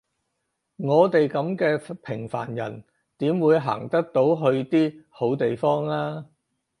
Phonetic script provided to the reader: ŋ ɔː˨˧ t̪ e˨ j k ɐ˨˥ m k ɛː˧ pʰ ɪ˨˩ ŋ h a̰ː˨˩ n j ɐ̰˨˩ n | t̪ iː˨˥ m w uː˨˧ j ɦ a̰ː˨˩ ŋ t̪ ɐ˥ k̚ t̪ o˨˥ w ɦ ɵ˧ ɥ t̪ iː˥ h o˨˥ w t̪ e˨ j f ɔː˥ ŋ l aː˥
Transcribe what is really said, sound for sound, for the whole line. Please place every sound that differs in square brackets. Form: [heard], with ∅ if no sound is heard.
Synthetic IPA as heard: ŋ ɔː˨˧ t̪ e˨ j k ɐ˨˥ m k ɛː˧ pʰ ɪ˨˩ ŋ [f] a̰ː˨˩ n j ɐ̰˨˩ n | t̪ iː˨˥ m w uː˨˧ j ɦ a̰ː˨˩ ŋ t̪ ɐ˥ k̚ t̪ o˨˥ w ɦ ɵ˧ ɥ t̪ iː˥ h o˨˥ w t̪ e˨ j f ɔː˥ ŋ l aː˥